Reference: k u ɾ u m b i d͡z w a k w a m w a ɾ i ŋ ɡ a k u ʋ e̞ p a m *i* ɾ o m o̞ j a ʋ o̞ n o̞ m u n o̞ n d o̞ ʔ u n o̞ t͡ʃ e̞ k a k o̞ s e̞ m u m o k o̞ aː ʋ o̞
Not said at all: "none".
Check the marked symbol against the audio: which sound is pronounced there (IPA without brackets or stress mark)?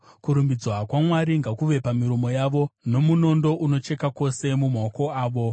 i